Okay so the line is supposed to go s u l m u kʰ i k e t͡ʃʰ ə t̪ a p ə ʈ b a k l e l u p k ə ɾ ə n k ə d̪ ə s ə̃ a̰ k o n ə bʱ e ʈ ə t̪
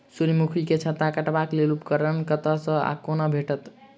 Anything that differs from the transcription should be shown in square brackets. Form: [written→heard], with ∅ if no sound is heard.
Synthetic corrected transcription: s u [l→ɾ] m u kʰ i k e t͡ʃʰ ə t̪ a [p→k] ə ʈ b a k l e l u p k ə ɾ ə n k ə [d̪→t̪] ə s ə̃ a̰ k o n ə bʱ e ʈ ə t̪